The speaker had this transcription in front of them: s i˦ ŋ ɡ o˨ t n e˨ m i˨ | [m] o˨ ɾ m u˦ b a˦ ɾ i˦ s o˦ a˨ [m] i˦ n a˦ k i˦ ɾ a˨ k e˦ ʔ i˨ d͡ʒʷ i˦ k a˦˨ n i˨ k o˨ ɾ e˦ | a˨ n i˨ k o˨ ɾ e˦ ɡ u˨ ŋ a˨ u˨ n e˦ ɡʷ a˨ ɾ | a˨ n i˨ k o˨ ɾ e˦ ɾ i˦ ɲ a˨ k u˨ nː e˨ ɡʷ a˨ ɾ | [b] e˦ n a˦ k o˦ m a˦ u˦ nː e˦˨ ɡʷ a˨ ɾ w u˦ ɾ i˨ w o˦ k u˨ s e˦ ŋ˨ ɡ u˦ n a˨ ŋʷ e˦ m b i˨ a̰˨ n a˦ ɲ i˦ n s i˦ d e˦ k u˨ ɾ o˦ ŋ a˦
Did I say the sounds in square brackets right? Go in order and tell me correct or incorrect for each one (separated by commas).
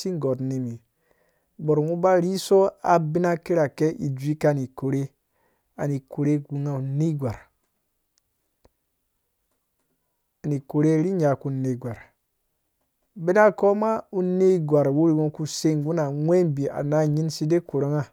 incorrect, incorrect, correct